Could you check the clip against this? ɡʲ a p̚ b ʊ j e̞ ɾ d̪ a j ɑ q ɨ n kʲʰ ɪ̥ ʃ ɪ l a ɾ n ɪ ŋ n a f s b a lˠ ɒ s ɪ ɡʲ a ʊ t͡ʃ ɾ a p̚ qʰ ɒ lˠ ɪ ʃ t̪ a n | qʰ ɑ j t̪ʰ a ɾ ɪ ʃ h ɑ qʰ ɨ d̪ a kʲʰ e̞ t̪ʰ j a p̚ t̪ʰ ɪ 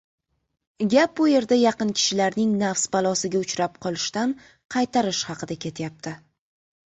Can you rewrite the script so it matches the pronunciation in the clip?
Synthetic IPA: ɡʲ a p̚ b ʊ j e̞ ɾ d̪ a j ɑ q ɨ n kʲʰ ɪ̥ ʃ ɪ l a ɾ n ɪ ŋ n a f s b a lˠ ɒ s ɪ ɡʲ a ʊ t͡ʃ ɾ a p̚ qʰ ɒ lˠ ɪ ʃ t̪ a n | qʰ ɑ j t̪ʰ a ɾ ɪ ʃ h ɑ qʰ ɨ d̪ a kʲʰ e̞ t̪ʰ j a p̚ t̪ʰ ɪ